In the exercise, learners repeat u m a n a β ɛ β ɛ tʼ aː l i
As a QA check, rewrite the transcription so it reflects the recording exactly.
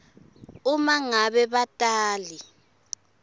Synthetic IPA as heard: u m a ŋ a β ɛ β a tʼ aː l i